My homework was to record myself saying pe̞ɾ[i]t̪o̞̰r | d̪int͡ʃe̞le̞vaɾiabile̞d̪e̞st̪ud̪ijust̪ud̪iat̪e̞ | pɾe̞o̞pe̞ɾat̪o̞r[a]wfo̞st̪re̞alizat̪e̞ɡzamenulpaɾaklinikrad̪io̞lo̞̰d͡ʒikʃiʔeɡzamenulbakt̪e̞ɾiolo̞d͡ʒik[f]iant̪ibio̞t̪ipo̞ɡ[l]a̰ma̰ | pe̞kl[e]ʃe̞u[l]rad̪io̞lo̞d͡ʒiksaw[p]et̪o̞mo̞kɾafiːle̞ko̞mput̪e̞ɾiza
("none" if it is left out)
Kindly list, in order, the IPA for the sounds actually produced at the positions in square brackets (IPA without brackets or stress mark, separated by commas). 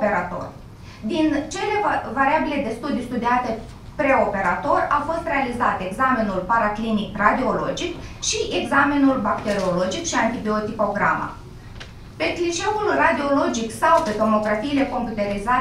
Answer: a, a, ʃ, ɾ, i, l, p